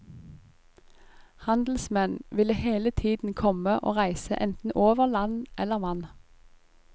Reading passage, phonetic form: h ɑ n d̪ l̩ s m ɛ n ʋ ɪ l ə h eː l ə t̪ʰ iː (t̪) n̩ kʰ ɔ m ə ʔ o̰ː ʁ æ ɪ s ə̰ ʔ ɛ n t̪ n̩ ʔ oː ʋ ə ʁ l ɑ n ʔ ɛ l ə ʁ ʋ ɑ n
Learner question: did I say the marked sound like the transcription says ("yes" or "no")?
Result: no